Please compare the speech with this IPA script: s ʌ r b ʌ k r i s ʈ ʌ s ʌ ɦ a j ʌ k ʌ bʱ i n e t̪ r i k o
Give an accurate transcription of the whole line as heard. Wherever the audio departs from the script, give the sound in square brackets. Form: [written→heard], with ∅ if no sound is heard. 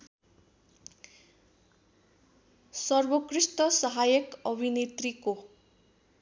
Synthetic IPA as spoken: s ʌ r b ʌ k r i s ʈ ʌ s ʌ ɦ a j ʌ k ʌ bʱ i n e t̪ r i k o